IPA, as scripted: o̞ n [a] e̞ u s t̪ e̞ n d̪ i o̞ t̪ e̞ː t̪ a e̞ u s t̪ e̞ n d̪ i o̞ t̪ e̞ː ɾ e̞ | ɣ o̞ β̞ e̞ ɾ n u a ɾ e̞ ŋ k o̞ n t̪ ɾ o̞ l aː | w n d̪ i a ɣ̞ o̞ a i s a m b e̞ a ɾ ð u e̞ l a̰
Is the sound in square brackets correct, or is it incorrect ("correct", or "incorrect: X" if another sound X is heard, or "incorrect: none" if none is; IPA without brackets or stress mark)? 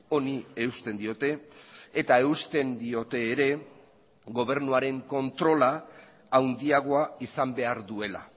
incorrect: i